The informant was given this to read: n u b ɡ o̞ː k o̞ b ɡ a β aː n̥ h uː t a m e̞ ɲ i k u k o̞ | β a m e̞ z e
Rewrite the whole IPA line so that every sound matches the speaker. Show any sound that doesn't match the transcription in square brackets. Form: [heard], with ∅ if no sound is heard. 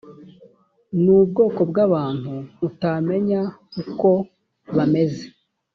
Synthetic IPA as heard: n u b ɡ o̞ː k o̞ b ɡ a β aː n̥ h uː t a m e̞ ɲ [a] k u k o̞ | β a m e̞ z e